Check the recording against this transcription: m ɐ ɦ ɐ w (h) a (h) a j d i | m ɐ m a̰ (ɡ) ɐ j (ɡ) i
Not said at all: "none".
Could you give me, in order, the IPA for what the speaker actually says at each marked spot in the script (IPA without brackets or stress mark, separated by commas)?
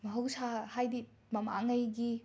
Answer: s, h, ŋ, ɡ